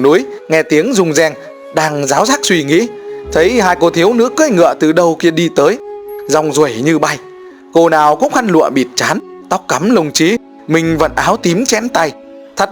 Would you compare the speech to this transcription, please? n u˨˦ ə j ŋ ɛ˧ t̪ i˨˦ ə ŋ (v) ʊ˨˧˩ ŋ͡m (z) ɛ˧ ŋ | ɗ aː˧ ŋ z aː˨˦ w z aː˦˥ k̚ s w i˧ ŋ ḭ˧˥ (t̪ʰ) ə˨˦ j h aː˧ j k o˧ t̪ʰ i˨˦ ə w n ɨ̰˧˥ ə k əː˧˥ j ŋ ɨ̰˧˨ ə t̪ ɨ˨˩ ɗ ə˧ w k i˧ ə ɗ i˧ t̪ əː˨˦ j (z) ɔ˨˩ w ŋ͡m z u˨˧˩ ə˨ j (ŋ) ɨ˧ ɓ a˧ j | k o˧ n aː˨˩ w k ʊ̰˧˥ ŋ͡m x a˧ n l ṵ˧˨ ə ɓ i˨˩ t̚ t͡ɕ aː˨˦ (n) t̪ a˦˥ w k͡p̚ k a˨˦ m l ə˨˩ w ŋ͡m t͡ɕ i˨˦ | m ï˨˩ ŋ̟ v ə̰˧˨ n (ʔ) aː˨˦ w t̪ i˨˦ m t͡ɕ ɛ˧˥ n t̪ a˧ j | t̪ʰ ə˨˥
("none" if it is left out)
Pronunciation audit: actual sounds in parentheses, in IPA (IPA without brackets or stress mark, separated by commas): z, z, t̪ʰ, z, ɲ, n, ʔ